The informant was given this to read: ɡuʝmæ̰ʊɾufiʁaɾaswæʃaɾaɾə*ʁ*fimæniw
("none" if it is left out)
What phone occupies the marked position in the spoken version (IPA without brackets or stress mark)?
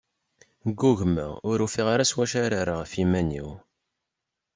ʁ